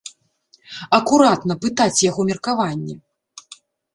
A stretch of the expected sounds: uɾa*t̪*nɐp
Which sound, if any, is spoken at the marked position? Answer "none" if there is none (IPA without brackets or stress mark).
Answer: t̪